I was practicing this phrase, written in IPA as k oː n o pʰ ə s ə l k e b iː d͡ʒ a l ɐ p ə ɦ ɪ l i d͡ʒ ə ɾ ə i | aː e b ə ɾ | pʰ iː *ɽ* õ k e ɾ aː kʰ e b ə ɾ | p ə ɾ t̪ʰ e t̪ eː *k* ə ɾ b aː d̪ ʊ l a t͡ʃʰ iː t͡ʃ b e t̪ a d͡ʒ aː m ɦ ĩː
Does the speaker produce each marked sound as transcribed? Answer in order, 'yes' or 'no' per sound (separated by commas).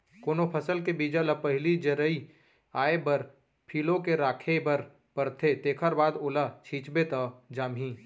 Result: no, no